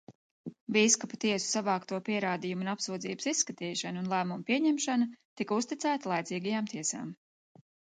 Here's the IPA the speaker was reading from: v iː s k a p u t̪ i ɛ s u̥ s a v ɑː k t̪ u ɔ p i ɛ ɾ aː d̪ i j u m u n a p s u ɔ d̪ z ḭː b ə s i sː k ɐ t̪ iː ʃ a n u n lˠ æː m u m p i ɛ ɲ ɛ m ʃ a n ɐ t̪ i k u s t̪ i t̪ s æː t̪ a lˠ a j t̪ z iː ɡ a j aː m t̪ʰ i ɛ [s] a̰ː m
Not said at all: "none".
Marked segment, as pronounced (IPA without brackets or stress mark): s